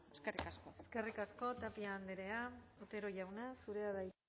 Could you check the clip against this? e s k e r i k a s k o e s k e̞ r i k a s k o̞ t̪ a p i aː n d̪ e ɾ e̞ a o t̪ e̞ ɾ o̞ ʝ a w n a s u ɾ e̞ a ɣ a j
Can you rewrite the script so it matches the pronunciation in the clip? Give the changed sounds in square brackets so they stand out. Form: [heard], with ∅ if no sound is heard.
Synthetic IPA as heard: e s k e r i k a s k o e s k e̞ r i k a s k o̞ t̪ a p i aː n d̪ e ɾ e̞ a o t̪ e̞ ɾ o̞ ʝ a w n a s u ɾ e̞ a [ð] a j